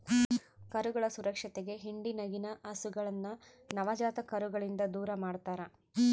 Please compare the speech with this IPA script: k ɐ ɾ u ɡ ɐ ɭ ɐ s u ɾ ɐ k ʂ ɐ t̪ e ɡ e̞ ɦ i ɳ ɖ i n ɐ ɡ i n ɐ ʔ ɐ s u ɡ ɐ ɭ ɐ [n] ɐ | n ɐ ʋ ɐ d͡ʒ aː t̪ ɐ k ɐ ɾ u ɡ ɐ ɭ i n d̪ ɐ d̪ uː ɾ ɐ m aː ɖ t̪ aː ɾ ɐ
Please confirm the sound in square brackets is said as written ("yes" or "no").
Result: no